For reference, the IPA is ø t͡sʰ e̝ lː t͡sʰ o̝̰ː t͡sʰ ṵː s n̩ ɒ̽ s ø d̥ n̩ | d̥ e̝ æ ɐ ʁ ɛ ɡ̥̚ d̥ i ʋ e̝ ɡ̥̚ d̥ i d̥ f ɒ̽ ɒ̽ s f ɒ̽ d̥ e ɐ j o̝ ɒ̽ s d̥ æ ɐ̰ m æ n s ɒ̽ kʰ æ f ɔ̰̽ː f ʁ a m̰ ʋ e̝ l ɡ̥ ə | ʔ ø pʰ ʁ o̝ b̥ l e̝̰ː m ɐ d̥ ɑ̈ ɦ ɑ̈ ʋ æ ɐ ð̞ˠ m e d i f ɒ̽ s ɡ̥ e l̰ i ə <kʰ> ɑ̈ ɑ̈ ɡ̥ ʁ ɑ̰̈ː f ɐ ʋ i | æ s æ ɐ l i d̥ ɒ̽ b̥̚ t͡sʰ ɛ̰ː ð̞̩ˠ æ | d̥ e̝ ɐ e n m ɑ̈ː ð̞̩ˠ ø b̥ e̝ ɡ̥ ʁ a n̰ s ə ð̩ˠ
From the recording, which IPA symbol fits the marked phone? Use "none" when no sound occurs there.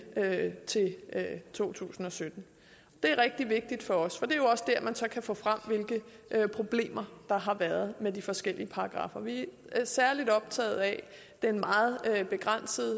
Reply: pʰ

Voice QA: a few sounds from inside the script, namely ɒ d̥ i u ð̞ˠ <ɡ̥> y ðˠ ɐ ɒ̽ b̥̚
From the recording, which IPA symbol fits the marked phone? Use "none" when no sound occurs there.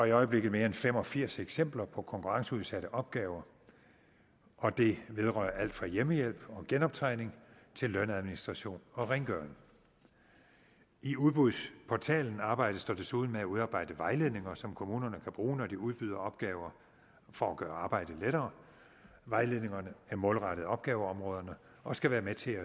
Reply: b̥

